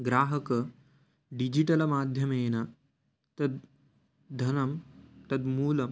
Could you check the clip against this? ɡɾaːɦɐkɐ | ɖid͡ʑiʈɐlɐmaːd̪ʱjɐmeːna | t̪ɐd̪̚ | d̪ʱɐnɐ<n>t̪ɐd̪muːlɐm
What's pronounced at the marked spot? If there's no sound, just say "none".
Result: m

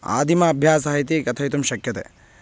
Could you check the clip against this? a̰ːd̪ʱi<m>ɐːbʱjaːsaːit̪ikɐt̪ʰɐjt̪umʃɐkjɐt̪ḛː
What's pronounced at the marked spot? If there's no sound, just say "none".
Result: m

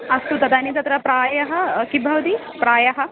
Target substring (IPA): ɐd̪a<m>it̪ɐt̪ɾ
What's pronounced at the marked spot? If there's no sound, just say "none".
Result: n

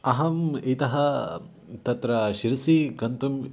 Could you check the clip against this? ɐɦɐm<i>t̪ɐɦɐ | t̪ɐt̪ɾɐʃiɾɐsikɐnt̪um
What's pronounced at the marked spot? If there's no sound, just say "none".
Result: i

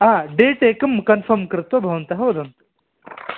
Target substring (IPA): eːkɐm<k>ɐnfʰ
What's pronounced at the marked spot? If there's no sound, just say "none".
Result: k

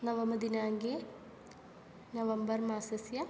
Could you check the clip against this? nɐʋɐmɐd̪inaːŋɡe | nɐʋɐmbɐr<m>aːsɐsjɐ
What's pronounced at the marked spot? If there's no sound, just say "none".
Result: m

